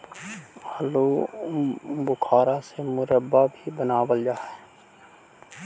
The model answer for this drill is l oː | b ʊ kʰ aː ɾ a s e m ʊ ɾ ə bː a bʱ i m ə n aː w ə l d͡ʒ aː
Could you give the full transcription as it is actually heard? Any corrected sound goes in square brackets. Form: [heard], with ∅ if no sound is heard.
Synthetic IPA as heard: l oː | b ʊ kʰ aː ɾ a s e m ʊ ɾ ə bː a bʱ i [b] ə n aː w ə l d͡ʒ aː